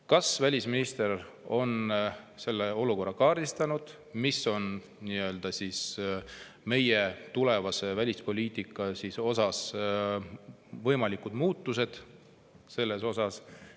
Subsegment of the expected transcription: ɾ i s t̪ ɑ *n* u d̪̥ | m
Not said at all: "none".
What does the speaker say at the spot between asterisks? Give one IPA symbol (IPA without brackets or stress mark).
n